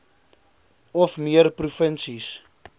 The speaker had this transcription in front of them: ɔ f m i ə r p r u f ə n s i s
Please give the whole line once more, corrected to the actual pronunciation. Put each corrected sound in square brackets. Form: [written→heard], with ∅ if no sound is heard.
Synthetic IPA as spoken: ɔ f m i ə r p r u f ə n s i s